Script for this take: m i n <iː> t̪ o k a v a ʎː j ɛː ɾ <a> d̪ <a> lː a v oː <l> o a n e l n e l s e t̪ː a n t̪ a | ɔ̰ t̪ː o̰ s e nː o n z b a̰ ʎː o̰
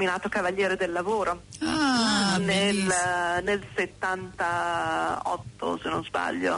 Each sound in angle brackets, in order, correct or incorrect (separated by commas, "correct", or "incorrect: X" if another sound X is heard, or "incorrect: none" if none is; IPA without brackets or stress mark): incorrect: aː, incorrect: e, incorrect: e, incorrect: ɾ